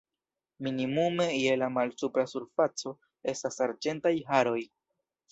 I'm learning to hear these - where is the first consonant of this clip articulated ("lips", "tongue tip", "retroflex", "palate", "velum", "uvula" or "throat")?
lips